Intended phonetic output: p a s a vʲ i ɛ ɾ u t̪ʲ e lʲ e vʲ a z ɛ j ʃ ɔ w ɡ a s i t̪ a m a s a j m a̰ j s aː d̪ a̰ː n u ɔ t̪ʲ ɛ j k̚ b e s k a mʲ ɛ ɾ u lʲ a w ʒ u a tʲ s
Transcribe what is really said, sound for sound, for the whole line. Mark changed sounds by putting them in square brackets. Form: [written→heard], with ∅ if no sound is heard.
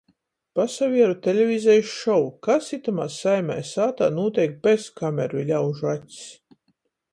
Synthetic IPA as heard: p a s a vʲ i ɛ ɾ u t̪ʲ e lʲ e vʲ [a→i] z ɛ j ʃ ɔ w [ɡ→k] a s i t̪ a m a s a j m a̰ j s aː [d̪→t̪] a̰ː n u ɔ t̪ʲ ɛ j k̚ b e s k a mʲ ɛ ɾ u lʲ a w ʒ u a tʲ s